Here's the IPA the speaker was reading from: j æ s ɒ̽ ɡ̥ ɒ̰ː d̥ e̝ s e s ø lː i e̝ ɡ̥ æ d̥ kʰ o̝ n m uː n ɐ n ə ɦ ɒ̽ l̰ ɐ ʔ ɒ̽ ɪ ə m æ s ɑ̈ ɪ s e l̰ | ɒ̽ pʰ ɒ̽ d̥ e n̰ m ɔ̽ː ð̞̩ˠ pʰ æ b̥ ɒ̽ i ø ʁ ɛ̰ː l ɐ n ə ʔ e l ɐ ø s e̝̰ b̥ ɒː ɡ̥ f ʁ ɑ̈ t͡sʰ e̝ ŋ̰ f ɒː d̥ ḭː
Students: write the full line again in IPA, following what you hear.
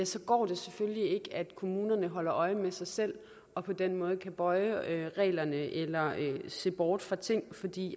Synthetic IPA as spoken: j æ s ɒ̽ ɡ̥ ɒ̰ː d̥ e̝ s e f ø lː i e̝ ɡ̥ æ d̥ kʰ o̝ m uː n ɐ n ə ɦ ɒ̽ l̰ ɐ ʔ ɒ̽ ɪ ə m e s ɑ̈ ɪ s e l̰ | ɒ̽ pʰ ɒ̽ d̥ e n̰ m ɔ̽ː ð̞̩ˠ kʰ æ b̥ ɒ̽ ɪ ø ʁ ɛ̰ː l ɐ n ə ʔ e l ɐ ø s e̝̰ b̥ ɒː d̥ f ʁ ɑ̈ t͡sʰ e̝ ŋ̰ f ɒ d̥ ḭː